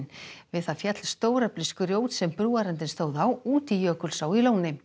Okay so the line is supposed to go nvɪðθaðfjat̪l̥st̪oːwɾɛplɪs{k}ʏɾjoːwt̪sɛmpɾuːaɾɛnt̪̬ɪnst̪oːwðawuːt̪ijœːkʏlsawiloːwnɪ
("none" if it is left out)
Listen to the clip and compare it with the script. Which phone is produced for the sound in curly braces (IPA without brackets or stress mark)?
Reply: k